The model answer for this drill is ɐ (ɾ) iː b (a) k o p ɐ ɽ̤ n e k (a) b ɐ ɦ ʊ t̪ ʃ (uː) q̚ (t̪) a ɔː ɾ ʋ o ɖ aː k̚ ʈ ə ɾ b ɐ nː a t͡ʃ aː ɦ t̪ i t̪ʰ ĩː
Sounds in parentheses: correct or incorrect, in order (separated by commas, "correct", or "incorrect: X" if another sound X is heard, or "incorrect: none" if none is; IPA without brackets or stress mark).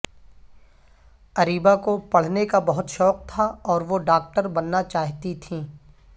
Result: correct, correct, correct, incorrect: ɔː, incorrect: t̪ʰ